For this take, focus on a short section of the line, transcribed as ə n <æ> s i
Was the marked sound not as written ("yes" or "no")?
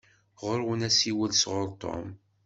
no